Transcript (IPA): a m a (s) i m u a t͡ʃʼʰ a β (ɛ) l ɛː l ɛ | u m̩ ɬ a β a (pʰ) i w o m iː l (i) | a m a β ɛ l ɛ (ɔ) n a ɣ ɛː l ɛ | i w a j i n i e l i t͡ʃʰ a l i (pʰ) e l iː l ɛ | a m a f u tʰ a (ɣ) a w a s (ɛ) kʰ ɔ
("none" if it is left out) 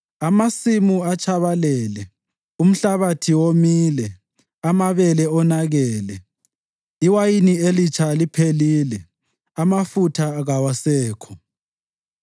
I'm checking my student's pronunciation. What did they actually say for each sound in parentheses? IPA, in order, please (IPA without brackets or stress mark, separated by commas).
s, a, tʰ, ɛ, ɔ, pʰ, ɣ, ɛː